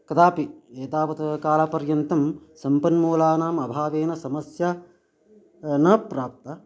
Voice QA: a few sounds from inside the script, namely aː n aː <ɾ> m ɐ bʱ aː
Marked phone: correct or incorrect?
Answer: incorrect